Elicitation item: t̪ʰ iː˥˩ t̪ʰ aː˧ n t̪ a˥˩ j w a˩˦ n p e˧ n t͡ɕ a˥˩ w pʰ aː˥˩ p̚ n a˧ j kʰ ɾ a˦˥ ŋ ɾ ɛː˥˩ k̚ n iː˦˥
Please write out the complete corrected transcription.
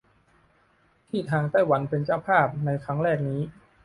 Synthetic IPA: t̪ʰ iː˥˩ t̪ʰ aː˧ ŋ t̪ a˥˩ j w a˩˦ n p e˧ n t͡ɕ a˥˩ w pʰ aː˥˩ p̚ n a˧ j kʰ ɾ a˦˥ ŋ ɾ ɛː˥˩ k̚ n iː˦˥